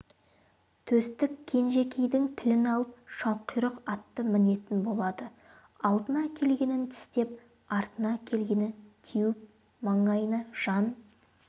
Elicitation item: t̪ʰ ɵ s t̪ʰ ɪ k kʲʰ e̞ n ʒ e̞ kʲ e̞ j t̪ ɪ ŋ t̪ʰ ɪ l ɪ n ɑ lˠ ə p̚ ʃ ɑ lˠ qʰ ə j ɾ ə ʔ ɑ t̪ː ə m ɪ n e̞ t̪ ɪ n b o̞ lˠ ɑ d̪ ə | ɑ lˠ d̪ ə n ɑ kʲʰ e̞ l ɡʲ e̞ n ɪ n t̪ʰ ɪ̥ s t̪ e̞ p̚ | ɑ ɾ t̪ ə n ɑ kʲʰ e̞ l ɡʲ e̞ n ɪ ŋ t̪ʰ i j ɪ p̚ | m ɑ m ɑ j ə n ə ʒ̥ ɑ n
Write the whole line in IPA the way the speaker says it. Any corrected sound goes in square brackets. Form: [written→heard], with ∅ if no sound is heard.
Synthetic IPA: t̪ʰ ɵ s [t̪ʰ→t̪] ɪ k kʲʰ e̞ n ʒ e̞ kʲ e̞ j [t̪→d̪] ɪ ŋ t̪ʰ ɪ l ɪ n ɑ lˠ ə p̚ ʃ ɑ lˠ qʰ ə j ɾ ə [ʔ→q] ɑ t̪ː ə m ɪ n e̞ t̪ ɪ n b o̞ lˠ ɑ d̪ ə | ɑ lˠ d̪ ə n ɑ kʲʰ e̞ l ɡʲ e̞ n ɪ n t̪ʰ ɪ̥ s t̪ e̞ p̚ | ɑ ɾ t̪ ə n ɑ kʲʰ e̞ l ɡʲ e̞ n ɪ [ŋ→n] t̪ʰ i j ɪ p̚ | m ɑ [m→ɴ] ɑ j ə n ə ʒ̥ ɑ n